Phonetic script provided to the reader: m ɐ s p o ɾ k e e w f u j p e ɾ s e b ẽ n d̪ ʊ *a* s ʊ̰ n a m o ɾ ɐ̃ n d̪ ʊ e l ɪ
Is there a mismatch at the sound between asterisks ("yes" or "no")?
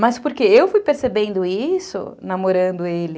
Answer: yes